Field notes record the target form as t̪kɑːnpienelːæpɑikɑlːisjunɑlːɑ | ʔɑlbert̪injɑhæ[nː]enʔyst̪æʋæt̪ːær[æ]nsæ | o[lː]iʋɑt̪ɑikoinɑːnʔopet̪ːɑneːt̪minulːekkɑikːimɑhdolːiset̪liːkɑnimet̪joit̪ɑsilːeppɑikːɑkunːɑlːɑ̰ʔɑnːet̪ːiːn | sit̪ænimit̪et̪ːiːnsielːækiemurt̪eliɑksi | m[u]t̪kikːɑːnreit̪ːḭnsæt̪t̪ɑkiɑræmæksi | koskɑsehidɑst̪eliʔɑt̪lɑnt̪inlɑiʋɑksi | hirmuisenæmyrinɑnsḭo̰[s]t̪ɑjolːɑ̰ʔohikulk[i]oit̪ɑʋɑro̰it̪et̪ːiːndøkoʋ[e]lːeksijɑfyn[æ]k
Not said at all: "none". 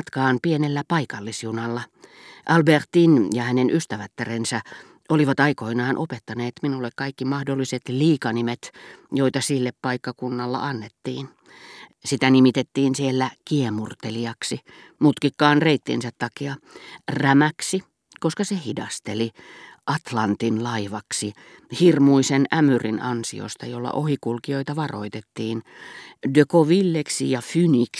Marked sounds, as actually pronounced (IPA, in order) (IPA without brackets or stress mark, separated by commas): n, e, l, u, s, i, i, i